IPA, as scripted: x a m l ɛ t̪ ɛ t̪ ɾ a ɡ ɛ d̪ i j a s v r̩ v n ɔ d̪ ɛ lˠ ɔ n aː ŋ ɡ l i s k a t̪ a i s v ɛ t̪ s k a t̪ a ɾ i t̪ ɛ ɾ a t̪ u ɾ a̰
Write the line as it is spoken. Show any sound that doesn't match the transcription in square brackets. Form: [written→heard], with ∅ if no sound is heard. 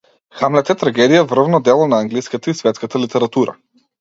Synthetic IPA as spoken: x a m l ɛ t̪ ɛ t̪ ɾ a ɡ ɛ d̪ i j a [s→∅] v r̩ v n ɔ d̪ ɛ lˠ ɔ n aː ŋ ɡ l i s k a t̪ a i s v ɛ t̪ s k a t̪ a [ɾ→l] i t̪ ɛ ɾ a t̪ u ɾ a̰

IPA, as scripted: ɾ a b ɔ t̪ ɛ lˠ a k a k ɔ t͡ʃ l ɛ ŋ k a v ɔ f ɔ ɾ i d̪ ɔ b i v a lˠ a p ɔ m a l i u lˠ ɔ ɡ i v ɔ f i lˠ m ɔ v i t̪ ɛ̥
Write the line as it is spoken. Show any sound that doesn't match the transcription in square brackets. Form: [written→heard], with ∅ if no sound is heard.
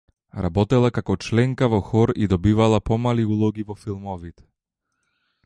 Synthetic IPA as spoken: ɾ a b ɔ t̪ ɛ lˠ a k a k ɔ t͡ʃ l ɛ ŋ k a v ɔ [f→x] ɔ ɾ i d̪ ɔ b i v a lˠ a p ɔ m a l i u lˠ ɔ ɡ i v ɔ f i lˠ m ɔ v i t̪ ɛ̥

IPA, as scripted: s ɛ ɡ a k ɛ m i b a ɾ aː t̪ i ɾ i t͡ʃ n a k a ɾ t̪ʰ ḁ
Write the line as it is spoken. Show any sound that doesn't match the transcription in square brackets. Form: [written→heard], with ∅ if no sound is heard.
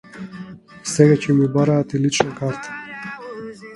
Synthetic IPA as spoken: s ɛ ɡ a [k→c] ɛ m i b a ɾ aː t̪ i [ɾ→l] i t͡ʃ n a k a ɾ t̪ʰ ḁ

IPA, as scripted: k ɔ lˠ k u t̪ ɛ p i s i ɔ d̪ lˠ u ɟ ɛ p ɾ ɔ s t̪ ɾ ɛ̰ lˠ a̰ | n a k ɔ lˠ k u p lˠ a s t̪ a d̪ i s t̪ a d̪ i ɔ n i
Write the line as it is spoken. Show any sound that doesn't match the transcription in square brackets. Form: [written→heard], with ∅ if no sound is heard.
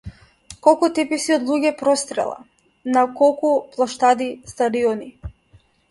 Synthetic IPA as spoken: k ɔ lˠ k u t̪ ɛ p i s i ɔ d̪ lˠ u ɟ ɛ p ɾ ɔ s t̪ ɾ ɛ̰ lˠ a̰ | n a k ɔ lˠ k u p lˠ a [s→ʃ] t̪ a d̪ i s t̪ a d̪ i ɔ n i

